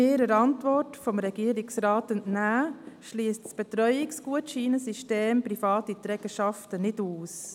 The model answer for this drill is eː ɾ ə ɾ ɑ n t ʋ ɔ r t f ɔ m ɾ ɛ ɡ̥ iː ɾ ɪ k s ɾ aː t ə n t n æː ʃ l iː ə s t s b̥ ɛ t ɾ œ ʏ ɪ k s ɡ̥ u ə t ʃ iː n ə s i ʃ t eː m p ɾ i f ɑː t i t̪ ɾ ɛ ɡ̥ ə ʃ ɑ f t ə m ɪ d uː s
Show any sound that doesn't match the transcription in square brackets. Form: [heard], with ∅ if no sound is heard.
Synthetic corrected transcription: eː ɾ ə ɾ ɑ n t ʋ ɔ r t f ɔ m ɾ ɛ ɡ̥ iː ɾ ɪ k s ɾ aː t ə n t n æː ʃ l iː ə s t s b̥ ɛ t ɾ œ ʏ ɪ k s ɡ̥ u ə t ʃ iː n ə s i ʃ t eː m p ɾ i f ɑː t i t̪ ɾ ɛ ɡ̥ ə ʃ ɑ f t ə [n] ɪ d uː s